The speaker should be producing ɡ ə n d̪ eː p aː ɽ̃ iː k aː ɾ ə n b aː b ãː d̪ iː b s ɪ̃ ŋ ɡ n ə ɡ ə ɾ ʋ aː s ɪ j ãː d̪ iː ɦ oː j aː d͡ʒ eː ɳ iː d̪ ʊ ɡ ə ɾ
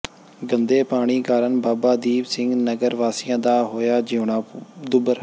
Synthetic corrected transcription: ɡ ə n d̪ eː p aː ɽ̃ iː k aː ɾ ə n b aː b aː d̪ iː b s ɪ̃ ŋ ɡ n ə ɡ ə ɾ ʋ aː s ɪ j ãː d̪ aː ɦ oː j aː d͡ʒ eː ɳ aː d̪ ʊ b ə ɾ